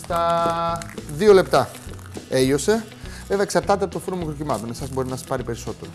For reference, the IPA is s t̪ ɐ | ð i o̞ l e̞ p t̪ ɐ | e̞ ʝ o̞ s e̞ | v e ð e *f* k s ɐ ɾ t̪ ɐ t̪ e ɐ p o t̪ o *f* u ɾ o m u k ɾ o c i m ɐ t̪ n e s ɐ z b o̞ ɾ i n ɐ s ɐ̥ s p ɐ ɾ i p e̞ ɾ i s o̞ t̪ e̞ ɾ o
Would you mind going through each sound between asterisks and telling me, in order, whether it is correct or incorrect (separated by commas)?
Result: incorrect, correct